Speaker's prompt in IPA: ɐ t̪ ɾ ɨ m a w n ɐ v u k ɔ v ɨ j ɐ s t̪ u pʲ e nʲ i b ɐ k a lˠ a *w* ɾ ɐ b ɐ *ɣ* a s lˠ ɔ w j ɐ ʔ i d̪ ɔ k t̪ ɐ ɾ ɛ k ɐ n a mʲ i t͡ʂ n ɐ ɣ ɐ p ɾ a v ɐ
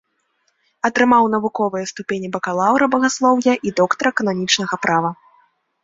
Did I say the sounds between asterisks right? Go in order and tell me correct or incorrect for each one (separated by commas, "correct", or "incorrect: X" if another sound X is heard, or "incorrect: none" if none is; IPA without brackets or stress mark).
correct, correct